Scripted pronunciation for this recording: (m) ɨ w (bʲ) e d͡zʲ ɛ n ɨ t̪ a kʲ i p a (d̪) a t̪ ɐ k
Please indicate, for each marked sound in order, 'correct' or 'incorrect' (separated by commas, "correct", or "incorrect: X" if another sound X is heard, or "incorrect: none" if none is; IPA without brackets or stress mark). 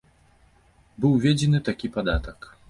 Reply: incorrect: b, incorrect: vʲ, correct